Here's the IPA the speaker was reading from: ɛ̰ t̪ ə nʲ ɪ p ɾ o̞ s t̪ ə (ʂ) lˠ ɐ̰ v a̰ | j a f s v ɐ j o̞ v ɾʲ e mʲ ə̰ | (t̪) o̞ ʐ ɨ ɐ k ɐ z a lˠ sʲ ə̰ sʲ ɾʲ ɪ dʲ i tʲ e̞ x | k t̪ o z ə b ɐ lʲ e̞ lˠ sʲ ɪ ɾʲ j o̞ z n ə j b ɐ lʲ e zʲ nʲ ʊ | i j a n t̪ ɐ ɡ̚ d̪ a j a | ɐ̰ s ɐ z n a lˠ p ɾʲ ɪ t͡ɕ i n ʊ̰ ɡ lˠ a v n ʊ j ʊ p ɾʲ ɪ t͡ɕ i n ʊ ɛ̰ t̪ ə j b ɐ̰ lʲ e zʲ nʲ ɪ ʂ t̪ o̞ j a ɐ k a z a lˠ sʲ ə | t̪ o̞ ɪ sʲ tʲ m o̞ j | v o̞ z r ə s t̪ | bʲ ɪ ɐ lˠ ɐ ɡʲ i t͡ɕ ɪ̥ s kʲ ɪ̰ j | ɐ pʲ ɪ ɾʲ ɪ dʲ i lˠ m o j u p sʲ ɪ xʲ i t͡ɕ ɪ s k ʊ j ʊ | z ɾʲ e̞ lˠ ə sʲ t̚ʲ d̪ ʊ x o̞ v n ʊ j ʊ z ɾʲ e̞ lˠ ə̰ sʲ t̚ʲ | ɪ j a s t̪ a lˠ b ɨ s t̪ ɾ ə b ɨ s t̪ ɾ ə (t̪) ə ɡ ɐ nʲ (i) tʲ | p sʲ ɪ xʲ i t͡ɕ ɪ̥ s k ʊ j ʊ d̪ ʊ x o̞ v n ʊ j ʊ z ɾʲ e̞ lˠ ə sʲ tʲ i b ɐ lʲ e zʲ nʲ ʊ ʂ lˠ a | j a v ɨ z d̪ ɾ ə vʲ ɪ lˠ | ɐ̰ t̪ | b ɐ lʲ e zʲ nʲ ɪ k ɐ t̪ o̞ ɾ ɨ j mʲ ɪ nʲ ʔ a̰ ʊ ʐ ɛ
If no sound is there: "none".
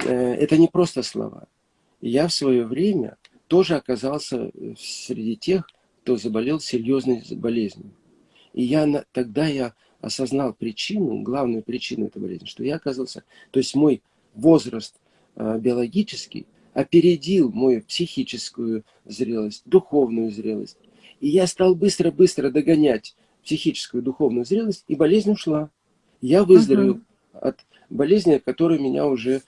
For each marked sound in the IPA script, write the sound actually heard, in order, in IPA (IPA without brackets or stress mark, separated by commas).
s, t̪, d̪, æ